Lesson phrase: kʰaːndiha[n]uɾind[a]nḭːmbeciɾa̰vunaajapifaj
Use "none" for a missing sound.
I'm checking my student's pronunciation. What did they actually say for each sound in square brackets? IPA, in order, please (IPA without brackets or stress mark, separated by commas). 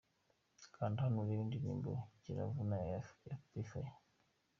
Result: n, i